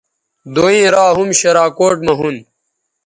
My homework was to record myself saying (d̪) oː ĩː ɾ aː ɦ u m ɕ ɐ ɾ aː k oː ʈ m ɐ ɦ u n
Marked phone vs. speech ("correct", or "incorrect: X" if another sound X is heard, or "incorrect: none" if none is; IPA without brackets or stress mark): correct